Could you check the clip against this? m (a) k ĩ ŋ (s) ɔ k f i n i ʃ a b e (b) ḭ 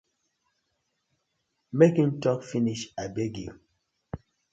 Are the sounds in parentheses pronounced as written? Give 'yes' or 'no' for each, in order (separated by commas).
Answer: no, no, no